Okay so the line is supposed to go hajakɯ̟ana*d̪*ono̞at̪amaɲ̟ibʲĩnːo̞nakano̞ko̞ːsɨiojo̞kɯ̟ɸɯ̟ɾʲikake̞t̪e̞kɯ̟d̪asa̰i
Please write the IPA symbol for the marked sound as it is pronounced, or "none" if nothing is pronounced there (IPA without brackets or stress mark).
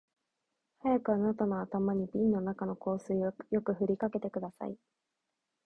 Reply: t̪